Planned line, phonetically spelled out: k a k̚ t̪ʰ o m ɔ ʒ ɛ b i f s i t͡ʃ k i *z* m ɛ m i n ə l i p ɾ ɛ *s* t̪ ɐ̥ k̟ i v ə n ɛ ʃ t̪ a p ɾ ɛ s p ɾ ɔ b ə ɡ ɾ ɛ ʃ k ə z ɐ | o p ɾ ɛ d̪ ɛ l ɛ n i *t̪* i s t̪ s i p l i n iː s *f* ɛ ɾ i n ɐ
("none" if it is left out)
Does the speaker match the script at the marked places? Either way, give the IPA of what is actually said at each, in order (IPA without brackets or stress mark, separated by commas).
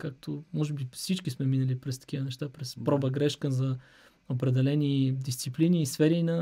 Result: s, s, d̪, f